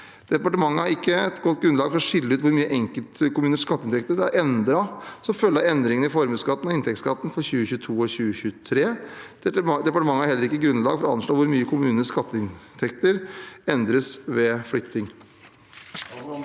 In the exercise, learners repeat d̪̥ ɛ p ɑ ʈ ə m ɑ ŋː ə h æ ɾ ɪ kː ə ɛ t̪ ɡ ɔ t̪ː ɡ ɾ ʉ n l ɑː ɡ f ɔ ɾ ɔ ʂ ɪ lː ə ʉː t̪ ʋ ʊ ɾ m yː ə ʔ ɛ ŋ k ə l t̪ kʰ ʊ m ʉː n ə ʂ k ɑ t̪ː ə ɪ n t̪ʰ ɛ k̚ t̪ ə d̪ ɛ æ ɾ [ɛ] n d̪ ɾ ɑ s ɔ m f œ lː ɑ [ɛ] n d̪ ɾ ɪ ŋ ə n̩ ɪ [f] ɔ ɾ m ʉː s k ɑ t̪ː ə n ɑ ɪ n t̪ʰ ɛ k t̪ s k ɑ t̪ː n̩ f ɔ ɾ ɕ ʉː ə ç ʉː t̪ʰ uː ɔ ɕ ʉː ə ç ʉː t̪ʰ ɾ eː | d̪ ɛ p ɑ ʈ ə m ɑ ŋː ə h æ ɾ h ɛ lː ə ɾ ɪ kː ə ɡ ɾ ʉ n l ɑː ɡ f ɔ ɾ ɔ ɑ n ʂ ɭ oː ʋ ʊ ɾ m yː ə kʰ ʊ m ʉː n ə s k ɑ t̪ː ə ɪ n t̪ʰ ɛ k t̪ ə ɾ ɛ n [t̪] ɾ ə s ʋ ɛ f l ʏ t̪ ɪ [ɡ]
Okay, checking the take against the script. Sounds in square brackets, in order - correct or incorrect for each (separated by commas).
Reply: correct, correct, correct, incorrect, incorrect